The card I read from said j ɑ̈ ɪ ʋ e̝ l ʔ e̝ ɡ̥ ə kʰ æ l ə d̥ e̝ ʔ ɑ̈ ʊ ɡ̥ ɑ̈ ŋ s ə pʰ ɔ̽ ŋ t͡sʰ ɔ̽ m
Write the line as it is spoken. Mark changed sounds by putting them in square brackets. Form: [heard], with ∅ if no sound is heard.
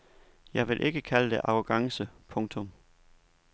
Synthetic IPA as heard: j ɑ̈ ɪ ʋ e̝ l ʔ e̝ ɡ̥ ə kʰ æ l ə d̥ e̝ ʔ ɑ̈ ʊ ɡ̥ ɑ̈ ŋ s ə pʰ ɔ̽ ŋ t͡sʰ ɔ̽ m